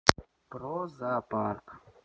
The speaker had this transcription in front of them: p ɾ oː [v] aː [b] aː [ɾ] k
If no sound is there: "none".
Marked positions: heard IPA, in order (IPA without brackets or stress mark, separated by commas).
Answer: z, p, ɾ